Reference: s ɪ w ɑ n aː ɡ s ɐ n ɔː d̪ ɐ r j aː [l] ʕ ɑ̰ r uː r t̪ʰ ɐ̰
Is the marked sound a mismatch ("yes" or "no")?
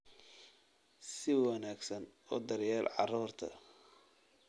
no